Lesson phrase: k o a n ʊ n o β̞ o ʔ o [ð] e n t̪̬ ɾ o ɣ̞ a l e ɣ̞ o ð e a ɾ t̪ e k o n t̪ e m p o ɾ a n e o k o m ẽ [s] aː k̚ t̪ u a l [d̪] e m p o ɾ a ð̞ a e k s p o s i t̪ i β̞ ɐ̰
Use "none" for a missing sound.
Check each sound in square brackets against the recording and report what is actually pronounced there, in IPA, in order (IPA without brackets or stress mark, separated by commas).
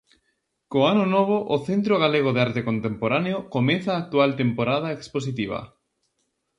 θ, θ, t̪